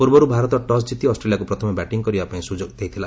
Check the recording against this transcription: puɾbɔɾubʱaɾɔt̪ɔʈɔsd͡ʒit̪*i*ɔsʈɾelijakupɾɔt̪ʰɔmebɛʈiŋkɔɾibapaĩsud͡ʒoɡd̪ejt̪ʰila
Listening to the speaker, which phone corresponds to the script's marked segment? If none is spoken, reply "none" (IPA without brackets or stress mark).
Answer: i